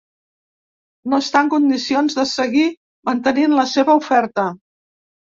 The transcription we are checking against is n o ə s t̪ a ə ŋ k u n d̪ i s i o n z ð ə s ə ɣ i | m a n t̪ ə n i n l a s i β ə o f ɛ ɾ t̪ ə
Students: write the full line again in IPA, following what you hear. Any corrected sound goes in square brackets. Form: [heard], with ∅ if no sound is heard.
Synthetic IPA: n o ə s t̪ a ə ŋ k u n d̪ i s i o n z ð ə s ə ɣ i | m [ə] n t̪ ə n i n l [ə] s [e] β ə [u] f ɛ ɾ t̪ ə